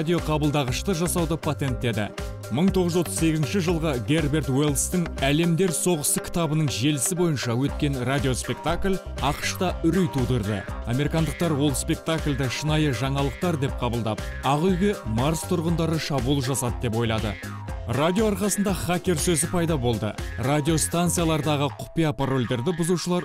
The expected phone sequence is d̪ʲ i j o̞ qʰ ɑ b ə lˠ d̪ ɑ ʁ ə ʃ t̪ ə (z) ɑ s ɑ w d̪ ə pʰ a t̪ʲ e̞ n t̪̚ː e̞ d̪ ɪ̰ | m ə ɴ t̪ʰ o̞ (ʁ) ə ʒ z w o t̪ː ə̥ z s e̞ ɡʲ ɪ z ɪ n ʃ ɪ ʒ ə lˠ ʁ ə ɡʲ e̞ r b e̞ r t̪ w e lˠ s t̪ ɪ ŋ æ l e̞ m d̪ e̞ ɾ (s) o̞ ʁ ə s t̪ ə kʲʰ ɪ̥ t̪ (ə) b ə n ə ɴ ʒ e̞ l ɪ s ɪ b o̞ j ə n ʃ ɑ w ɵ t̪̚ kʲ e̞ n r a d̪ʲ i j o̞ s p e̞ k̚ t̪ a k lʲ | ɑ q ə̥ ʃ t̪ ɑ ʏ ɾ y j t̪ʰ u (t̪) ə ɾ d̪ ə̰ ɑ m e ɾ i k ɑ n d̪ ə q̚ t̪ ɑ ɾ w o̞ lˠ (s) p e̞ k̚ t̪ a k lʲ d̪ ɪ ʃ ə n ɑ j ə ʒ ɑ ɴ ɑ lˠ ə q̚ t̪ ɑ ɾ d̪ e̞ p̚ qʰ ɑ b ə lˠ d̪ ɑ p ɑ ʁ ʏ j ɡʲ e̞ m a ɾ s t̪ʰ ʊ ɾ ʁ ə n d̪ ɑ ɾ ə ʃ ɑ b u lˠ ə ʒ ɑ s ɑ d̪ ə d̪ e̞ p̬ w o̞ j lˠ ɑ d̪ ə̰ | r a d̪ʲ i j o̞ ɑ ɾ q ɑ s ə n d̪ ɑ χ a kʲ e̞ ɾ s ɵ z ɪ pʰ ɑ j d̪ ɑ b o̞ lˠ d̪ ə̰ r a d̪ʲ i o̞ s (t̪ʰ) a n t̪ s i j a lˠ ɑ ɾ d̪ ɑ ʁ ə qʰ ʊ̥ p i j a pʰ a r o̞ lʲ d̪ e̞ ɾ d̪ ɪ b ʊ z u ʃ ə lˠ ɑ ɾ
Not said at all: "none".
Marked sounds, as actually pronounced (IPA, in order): ʒ, ʁ, s, ɑ, d̪, s, t̪

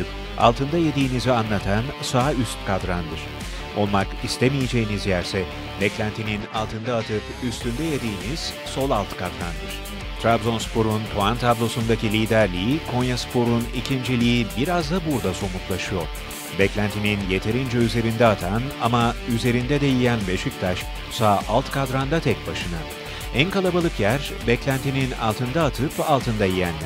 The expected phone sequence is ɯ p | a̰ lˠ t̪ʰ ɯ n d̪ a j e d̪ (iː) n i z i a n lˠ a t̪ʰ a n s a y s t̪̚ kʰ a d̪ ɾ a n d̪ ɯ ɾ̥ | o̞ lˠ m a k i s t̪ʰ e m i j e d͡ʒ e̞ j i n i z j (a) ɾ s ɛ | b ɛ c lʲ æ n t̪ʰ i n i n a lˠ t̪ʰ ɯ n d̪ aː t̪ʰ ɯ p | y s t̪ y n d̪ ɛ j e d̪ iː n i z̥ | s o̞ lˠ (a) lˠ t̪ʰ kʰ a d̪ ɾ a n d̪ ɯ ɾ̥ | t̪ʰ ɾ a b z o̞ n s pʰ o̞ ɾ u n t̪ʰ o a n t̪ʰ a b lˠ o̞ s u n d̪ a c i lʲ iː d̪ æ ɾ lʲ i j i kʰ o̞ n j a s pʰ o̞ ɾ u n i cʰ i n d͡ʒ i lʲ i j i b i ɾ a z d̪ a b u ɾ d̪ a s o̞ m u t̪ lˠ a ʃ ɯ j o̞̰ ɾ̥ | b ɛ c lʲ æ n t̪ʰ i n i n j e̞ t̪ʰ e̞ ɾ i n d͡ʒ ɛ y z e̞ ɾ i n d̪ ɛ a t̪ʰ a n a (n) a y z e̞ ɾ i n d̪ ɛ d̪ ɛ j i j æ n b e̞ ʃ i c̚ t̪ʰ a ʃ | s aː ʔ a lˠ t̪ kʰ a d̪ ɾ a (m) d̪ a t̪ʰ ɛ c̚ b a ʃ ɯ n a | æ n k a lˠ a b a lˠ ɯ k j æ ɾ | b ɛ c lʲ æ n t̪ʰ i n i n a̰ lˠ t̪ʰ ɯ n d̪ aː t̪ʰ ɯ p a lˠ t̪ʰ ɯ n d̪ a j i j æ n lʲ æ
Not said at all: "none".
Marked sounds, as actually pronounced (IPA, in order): iː, æ, a, m, n

